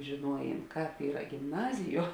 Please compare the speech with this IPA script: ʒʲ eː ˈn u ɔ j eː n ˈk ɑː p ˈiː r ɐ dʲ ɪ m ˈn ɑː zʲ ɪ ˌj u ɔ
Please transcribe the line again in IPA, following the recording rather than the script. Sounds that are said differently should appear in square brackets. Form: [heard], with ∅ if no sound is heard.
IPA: ʒʲ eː ˈn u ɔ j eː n ˈk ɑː p ˈiː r ɐ [ɡʲ] ɪ m ˈn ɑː zʲ ɪ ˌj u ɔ